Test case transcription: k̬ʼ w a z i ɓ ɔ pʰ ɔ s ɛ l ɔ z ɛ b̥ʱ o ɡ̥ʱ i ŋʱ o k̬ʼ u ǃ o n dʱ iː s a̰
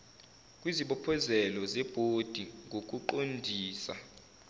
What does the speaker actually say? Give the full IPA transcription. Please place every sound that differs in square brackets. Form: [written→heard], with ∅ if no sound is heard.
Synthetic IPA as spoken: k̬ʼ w [a→i] z i ɓ ɔ pʰ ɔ [s→z] ɛ l ɔ z ɛ b̥ʱ o [ɡ̥ʱ→d̥ʱ] i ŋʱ o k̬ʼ u ǃ o n dʱ iː s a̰